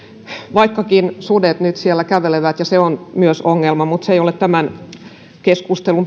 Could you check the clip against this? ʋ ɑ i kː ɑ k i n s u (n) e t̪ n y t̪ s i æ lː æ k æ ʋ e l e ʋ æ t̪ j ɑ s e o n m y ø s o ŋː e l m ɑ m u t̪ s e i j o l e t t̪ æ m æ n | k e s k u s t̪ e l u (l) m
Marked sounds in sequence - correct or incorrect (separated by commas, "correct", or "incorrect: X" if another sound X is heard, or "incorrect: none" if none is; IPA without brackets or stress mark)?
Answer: incorrect: d, incorrect: none